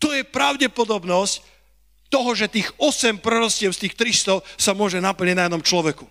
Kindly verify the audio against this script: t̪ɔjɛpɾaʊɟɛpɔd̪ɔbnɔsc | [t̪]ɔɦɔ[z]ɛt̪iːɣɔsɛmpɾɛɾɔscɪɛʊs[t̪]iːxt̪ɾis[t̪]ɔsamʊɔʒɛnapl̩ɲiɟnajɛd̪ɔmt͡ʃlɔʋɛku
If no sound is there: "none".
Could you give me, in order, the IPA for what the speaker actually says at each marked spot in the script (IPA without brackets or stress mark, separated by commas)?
t̪, ʒ, t̪, t̪